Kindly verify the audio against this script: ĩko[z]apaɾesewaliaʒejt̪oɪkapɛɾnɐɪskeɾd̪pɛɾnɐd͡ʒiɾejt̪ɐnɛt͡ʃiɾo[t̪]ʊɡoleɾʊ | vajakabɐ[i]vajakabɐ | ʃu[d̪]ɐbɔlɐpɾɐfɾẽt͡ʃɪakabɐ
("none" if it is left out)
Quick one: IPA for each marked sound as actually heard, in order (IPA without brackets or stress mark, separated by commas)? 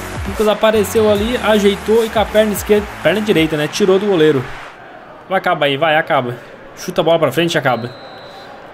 z, d̪, i, t̪